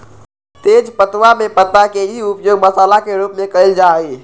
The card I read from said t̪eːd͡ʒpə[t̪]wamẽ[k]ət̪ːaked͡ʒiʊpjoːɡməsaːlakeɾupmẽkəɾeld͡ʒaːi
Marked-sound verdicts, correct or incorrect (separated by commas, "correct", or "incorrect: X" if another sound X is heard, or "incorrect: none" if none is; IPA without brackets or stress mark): correct, incorrect: p